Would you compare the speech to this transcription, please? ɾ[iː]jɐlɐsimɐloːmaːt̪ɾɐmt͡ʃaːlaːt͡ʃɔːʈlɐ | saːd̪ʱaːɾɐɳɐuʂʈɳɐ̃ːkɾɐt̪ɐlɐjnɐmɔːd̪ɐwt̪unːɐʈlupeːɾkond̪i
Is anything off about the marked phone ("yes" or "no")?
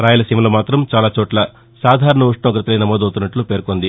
yes